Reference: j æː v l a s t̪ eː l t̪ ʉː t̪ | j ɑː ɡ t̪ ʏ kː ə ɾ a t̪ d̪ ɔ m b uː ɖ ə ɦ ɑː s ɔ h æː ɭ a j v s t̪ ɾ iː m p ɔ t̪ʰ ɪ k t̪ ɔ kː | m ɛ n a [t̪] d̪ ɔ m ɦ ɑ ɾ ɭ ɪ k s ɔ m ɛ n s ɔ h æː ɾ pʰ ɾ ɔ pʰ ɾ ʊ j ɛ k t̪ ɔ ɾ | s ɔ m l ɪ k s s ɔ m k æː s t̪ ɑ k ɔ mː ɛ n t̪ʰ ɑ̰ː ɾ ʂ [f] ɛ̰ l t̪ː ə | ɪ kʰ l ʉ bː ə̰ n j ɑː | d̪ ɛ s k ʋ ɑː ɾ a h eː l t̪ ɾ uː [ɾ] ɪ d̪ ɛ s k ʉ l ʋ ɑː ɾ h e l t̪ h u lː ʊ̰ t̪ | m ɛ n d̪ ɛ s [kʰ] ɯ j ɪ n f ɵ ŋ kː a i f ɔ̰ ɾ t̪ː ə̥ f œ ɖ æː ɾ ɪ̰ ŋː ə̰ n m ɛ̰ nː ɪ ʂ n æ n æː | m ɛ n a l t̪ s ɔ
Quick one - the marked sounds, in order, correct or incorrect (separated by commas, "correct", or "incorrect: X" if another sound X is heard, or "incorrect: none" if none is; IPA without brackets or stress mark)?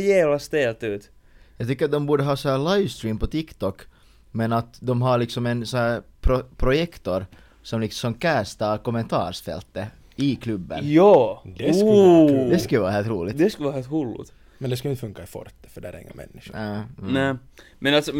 correct, correct, incorrect: l, incorrect: k